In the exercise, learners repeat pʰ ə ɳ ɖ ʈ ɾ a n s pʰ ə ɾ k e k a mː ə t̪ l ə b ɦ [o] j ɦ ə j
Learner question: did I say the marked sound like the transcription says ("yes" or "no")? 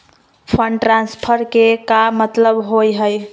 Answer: yes